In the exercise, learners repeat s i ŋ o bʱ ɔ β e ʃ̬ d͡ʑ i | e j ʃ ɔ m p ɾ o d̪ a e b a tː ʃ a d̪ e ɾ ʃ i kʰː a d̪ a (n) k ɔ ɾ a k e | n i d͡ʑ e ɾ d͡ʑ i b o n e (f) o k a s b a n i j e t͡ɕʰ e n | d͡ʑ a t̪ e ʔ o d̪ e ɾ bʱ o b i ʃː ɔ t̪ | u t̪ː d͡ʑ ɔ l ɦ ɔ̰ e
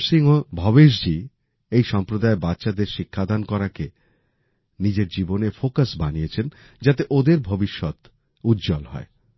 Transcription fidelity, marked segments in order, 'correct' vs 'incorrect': correct, correct

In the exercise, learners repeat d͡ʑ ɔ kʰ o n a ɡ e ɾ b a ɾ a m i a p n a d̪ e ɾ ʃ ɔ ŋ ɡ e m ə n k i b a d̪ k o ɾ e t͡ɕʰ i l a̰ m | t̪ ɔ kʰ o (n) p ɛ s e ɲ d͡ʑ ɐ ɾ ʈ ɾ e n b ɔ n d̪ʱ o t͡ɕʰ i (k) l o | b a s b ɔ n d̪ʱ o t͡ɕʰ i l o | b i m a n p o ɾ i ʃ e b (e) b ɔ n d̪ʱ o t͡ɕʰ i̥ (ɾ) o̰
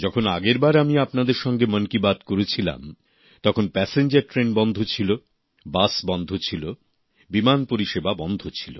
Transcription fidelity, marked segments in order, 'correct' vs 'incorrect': correct, incorrect: none, incorrect: a, incorrect: l

